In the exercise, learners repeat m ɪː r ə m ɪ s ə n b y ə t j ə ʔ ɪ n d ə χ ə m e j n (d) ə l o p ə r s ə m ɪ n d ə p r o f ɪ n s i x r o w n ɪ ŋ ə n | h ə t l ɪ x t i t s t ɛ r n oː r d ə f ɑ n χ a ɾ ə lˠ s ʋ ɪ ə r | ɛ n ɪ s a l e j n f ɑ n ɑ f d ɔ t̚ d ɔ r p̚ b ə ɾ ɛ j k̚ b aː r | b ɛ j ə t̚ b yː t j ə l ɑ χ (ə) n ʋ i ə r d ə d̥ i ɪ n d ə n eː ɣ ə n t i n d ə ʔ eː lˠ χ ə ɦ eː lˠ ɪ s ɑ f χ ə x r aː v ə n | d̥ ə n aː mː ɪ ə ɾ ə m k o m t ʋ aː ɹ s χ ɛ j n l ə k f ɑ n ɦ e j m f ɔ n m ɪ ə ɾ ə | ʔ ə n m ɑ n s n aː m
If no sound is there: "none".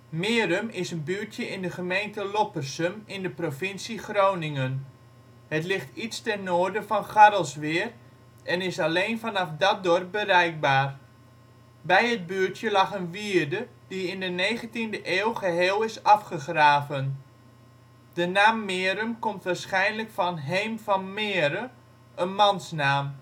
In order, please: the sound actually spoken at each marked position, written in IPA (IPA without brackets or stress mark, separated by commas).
t, ə